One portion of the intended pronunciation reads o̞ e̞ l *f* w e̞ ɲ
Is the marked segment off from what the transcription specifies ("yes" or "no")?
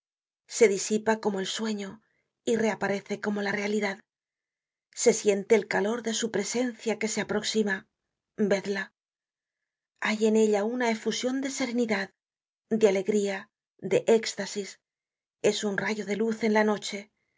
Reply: yes